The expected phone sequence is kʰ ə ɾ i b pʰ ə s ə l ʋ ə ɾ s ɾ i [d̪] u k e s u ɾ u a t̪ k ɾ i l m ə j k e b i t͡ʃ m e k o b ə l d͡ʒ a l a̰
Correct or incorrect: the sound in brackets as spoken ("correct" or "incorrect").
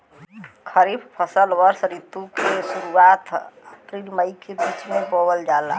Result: incorrect